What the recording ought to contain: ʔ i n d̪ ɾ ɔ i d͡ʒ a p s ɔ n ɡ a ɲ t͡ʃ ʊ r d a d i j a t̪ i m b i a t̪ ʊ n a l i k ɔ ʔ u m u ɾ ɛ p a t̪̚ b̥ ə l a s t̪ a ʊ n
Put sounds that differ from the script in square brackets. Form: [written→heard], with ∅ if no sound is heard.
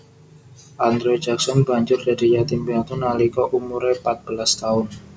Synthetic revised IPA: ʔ [i→a] n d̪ ɾ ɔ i d͡ʒ a [p→k] s ɔ n [ɡ→b] a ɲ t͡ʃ ʊ r d a d i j a t̪ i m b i a t̪ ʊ n a l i k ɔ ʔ u m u ɾ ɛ p a t̪̚ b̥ ə l a s t̪ a ʊ n